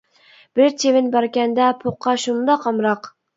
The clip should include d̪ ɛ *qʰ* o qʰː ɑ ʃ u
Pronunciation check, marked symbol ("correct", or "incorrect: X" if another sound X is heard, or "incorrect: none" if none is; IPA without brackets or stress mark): incorrect: pʰ